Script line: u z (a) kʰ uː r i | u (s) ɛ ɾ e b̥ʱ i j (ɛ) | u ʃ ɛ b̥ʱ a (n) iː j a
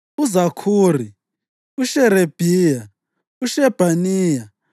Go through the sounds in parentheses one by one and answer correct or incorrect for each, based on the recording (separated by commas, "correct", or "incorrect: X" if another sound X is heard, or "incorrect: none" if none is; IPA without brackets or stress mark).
correct, incorrect: ʃ, incorrect: a, correct